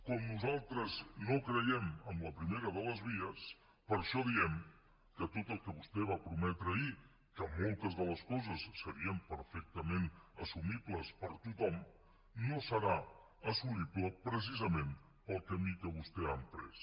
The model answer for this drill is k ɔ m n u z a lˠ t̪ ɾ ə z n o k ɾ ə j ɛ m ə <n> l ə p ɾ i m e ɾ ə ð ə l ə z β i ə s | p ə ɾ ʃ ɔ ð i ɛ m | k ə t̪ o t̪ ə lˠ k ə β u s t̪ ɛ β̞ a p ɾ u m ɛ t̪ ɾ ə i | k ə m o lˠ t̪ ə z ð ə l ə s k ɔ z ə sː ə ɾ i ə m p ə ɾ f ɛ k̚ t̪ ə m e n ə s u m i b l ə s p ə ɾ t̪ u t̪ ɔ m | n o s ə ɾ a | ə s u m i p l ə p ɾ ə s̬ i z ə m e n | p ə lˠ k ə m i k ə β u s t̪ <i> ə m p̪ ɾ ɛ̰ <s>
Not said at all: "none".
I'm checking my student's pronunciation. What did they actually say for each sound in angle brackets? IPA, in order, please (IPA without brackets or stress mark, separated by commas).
m, ɛ, s